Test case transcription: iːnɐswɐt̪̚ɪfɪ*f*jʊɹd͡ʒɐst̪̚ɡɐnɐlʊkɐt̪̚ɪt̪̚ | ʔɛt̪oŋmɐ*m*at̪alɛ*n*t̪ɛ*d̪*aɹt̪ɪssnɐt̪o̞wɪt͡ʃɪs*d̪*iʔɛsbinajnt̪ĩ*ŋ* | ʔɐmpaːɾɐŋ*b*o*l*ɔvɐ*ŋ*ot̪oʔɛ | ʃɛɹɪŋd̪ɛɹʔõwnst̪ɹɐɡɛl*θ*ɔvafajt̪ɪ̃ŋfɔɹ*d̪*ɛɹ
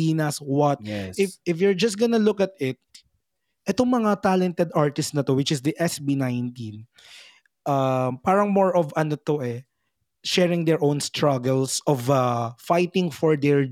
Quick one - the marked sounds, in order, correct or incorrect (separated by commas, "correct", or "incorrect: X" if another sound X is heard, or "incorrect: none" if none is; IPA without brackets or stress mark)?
correct, incorrect: ŋ, correct, correct, correct, incorrect: n, incorrect: m, incorrect: ɹ, incorrect: n, incorrect: s, correct